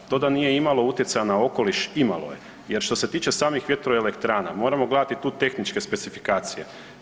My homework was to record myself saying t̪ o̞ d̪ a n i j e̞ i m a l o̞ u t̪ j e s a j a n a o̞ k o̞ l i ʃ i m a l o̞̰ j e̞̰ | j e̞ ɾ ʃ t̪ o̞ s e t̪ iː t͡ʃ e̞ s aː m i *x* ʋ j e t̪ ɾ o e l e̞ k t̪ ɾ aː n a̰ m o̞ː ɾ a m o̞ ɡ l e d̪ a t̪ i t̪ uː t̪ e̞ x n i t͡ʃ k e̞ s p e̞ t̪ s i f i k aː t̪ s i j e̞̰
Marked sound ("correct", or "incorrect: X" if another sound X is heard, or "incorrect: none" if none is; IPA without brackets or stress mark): correct